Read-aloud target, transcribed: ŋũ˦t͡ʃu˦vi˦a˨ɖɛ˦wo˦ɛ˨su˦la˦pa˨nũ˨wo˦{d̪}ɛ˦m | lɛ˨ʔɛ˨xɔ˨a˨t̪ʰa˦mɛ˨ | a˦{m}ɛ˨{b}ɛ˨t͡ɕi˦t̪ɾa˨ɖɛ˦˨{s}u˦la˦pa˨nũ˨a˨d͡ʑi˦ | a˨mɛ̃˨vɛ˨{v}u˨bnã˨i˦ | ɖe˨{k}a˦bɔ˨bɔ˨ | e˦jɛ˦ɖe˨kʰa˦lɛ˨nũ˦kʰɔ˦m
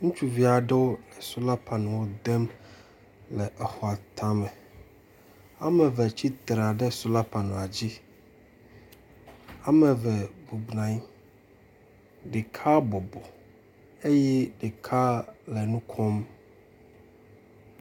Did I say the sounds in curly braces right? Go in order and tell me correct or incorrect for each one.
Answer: correct, correct, incorrect: v, correct, incorrect: b, incorrect: kʰ

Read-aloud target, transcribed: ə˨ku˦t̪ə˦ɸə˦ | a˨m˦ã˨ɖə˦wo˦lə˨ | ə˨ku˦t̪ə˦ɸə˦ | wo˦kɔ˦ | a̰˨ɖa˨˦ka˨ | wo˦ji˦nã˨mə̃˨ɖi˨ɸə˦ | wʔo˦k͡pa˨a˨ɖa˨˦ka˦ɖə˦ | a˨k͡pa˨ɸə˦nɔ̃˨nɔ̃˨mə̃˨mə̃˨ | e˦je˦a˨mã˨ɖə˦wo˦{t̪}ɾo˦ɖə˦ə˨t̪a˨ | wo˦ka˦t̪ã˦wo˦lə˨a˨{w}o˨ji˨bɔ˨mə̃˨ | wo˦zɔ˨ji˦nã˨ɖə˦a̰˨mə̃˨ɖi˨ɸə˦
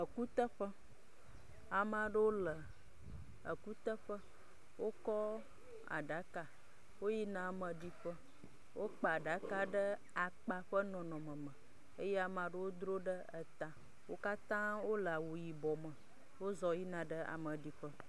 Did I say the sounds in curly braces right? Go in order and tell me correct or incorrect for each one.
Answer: incorrect: d̪, correct

